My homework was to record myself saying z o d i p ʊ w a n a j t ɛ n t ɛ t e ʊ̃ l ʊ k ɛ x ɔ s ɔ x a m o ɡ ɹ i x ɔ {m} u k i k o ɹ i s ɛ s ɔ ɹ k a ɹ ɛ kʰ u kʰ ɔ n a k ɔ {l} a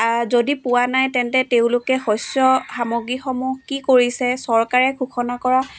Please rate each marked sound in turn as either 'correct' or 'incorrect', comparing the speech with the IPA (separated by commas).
correct, incorrect